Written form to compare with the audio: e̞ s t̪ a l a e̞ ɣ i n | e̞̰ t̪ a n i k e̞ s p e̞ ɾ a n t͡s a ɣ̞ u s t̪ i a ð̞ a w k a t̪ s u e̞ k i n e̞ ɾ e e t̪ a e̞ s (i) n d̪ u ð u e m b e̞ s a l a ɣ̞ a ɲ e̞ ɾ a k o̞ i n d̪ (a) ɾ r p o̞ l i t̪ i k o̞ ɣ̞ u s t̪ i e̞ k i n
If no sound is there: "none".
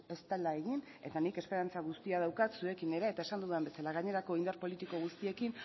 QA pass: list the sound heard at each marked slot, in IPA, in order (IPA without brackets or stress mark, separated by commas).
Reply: a, a